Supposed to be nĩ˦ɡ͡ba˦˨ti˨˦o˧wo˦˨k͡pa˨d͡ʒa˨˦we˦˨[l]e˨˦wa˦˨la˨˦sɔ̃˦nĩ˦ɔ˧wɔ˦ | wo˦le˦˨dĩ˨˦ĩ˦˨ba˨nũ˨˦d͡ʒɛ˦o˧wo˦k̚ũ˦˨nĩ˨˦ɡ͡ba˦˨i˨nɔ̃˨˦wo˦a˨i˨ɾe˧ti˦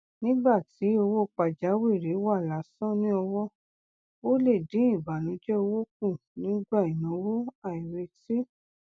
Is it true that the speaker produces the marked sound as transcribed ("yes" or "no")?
no